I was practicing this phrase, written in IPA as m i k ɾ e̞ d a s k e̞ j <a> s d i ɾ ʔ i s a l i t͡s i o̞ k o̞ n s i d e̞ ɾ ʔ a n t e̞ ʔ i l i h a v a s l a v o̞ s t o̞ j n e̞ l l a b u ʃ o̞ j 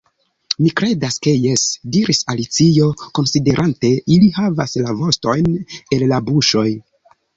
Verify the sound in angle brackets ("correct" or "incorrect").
incorrect